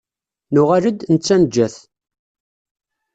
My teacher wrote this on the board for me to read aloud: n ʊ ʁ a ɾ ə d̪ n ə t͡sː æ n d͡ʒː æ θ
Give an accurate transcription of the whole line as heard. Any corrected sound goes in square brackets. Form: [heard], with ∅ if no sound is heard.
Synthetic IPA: n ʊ ʁ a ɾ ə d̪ n ə t͡sː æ n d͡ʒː æ θ